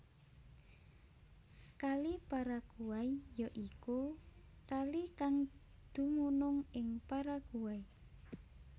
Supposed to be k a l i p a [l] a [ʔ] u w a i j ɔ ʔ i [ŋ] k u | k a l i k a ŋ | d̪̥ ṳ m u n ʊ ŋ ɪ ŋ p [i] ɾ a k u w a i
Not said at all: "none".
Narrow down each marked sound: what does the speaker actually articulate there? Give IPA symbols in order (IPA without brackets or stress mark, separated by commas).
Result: ɾ, k, none, a